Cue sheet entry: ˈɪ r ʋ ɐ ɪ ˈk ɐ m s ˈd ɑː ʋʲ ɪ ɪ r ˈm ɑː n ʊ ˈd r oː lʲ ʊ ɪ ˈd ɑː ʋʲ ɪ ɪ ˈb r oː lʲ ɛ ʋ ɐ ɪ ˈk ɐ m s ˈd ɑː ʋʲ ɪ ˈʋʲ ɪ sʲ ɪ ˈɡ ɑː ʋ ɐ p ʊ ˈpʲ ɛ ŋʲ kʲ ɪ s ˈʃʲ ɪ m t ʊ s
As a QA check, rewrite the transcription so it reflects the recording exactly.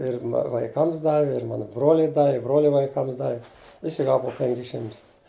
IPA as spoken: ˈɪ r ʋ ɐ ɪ ˈk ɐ m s ˈd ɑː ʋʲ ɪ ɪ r ˈm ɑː n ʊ ˈb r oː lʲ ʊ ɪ ˈd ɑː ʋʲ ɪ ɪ ˈb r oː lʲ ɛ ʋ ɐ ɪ ˈk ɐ m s ˈd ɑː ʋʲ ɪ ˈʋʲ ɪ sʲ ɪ ˈɡ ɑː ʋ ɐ p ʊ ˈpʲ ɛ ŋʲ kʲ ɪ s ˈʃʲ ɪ m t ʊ s